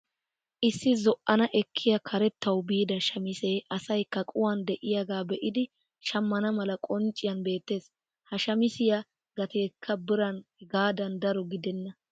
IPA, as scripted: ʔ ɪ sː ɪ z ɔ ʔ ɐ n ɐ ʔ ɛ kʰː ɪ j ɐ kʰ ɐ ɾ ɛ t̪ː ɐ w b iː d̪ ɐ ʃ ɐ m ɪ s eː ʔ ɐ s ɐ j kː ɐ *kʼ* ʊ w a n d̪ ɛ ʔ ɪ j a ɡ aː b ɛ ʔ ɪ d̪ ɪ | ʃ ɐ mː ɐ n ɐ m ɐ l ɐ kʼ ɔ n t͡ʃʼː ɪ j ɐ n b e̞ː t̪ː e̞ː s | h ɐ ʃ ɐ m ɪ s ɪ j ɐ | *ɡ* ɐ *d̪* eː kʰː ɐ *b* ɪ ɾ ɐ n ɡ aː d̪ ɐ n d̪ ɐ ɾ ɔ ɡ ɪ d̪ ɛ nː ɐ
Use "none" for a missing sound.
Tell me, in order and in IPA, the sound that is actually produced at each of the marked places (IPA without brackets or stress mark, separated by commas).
kʼ, ɡ, t̪, b